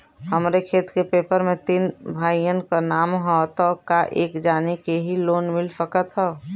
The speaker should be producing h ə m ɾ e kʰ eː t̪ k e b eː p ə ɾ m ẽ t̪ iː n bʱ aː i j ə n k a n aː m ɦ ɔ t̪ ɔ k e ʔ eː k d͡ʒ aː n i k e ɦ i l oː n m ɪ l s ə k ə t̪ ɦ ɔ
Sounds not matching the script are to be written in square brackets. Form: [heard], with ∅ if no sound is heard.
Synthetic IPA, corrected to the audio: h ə m ɾ e kʰ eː t̪ k e [p] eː p ə ɾ m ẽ t̪ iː n bʱ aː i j ə n k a n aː m ɦ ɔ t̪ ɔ k [a] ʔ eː k d͡ʒ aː n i k e ɦ i l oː n m ɪ l s ə k ə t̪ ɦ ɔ